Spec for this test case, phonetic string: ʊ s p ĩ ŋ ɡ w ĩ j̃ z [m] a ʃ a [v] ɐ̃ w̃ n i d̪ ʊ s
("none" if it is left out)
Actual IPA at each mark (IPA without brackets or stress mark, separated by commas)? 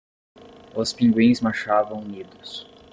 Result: m, v